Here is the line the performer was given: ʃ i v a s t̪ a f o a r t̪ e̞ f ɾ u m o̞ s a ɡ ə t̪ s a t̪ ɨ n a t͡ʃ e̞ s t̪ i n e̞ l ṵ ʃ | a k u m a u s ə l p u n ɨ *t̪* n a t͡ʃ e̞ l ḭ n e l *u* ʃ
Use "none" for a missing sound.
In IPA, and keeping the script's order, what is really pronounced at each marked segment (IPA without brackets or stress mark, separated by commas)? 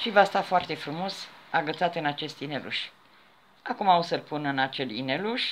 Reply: none, u